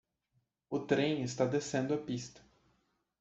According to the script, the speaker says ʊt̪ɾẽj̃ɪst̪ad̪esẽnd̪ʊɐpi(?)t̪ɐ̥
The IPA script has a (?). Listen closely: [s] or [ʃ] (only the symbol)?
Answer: s